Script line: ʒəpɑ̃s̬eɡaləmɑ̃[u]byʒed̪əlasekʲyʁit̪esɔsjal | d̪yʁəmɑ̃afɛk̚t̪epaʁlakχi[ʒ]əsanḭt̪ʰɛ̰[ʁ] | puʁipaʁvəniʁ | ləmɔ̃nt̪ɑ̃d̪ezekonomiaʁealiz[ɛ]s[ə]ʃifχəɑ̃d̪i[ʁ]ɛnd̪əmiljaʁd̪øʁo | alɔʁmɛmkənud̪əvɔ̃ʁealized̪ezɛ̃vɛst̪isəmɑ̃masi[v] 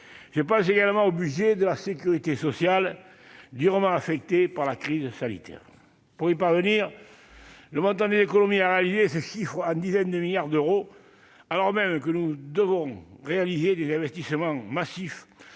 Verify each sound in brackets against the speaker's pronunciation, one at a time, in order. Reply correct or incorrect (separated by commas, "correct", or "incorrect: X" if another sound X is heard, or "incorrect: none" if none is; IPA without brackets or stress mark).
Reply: incorrect: o, incorrect: z, correct, incorrect: e, correct, incorrect: z, incorrect: f